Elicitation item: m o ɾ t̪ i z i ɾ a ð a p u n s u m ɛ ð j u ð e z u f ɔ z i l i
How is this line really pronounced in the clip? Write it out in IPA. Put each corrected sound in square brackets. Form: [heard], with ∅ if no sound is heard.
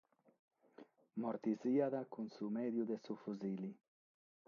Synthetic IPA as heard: m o ɾ t̪ i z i [∅] a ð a [k] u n s u m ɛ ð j u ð e [s] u f [u] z i l i